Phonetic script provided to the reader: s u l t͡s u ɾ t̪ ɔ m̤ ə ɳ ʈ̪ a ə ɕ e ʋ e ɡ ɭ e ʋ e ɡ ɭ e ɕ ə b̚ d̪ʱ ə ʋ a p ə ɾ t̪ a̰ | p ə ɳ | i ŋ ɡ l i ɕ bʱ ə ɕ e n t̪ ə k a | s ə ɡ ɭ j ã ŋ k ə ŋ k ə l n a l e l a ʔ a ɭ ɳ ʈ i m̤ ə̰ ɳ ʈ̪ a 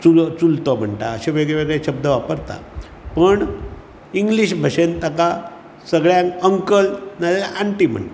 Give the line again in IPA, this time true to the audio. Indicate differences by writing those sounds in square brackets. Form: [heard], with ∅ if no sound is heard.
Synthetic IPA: [t͡s] u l t͡s u [l] t̪ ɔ m̤ ə ɳ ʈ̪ a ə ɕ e ʋ e ɡ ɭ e ʋ e ɡ ɭ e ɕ ə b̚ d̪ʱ ə ʋ a p ə ɾ t̪ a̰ | p ə ɳ | i ŋ ɡ l i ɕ bʱ ə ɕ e n t̪ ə k a | s ə ɡ ɭ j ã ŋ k ə ŋ k ə l n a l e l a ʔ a [∅] ɳ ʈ i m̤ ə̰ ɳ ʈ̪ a